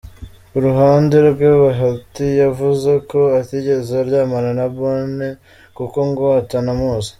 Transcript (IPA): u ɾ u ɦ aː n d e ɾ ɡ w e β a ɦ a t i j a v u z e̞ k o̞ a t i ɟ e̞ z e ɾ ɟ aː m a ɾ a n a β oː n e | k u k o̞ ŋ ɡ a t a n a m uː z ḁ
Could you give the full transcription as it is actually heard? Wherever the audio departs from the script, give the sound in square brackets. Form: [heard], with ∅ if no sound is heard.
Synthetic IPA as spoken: u ɾ u ɦ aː n d e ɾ ɡ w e β a ɦ a t i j a v u z e̞ k o̞ a t i ɟ e̞ z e ɾ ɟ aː m a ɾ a n a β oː n e | k u k o̞ ŋ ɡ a t a n a m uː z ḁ